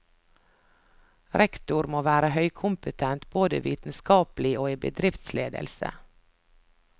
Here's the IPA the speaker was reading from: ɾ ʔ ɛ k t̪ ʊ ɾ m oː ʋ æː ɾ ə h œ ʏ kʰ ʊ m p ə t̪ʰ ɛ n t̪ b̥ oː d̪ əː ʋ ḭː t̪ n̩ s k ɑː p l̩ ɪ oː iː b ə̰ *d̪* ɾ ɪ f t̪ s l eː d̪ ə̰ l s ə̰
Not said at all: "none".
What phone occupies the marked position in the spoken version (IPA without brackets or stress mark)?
d̪